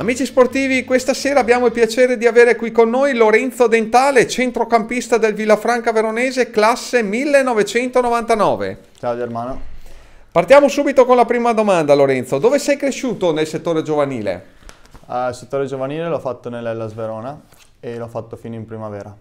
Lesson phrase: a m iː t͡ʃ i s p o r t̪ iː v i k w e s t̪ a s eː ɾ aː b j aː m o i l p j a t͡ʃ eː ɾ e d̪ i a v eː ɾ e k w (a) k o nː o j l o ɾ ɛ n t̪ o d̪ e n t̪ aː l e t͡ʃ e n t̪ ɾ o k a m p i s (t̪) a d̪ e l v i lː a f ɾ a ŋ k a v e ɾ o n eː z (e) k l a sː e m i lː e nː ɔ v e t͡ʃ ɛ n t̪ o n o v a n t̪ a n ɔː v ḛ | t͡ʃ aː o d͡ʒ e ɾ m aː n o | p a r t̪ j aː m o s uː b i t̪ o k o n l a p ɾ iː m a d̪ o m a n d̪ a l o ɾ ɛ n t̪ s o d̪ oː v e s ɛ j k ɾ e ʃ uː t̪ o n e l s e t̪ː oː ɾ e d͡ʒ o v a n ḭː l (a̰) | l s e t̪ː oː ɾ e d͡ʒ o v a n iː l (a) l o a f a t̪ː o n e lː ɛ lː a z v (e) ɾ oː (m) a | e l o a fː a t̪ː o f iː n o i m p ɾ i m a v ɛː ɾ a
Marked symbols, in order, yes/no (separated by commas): no, yes, yes, no, no, yes, no